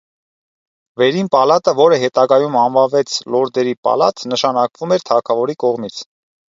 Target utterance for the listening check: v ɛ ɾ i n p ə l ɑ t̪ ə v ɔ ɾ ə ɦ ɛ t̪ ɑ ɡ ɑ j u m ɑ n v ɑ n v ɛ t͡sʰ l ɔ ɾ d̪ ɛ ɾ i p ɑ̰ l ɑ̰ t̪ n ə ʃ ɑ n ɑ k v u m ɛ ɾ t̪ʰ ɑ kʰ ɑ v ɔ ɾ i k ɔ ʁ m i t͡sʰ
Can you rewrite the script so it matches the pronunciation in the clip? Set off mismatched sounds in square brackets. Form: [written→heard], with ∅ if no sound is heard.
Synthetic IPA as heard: v ɛ ɾ i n p [ə→ɑ] l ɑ t̪ ə v ɔ ɾ ə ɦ ɛ t̪ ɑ ɡ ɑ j u m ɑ n v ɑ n v ɛ t͡sʰ l ɔ ɾ d̪ ɛ ɾ i p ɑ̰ l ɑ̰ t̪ n ə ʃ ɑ n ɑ k v u m ɛ ɾ t̪ʰ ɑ kʰ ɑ v ɔ ɾ i k ɔ ʁ m i t͡sʰ